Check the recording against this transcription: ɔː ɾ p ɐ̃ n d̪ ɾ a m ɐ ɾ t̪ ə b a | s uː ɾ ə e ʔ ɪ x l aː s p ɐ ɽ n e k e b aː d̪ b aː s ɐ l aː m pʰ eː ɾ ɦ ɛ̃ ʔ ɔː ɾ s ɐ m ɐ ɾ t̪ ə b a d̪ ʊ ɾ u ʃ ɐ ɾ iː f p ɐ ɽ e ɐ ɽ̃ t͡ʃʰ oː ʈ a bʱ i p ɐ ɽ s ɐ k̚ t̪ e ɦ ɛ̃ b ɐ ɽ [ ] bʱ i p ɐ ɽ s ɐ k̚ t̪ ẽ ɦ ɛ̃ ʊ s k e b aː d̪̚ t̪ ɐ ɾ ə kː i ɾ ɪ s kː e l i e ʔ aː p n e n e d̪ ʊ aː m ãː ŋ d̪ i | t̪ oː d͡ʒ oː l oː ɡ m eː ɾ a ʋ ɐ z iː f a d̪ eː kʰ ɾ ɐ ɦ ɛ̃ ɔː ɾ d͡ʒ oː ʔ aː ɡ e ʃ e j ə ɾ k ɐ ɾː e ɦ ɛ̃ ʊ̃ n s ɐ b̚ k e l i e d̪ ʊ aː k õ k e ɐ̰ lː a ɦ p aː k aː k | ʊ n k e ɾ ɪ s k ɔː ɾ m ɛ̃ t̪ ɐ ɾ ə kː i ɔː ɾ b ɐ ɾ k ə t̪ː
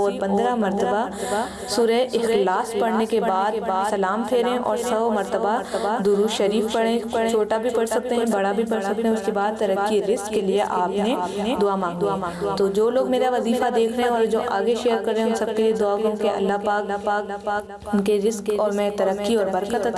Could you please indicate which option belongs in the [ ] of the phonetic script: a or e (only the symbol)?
a